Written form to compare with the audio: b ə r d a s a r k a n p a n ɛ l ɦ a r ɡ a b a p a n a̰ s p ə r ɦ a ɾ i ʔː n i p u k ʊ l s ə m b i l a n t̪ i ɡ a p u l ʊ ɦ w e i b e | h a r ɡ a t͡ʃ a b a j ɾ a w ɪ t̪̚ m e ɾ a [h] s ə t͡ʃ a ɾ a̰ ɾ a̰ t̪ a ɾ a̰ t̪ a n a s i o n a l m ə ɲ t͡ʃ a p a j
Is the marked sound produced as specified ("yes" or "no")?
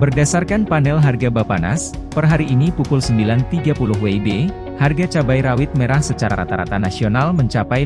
yes